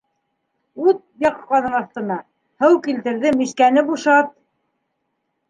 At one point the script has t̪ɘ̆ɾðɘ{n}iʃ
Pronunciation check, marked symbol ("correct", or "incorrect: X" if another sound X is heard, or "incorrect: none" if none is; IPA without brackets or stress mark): incorrect: m